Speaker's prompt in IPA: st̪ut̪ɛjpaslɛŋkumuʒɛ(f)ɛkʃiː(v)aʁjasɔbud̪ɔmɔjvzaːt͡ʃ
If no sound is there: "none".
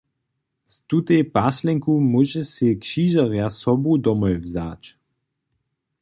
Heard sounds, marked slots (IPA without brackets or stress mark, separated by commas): s, ʒ